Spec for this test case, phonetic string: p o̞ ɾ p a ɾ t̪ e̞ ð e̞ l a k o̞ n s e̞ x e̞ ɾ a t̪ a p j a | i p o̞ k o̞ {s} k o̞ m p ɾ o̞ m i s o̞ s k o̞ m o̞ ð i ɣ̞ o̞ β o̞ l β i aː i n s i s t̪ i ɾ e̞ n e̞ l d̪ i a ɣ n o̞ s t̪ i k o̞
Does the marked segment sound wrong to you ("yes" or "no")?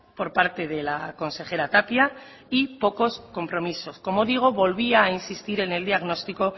no